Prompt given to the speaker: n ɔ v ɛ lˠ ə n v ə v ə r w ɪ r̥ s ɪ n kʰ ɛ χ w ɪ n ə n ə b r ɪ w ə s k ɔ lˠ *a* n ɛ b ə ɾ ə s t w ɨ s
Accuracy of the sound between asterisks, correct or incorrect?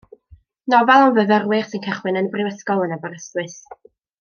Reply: incorrect